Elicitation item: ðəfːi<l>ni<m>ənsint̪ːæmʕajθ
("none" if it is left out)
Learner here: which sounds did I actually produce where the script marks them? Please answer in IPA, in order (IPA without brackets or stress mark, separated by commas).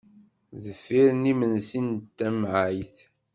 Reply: ɾ, m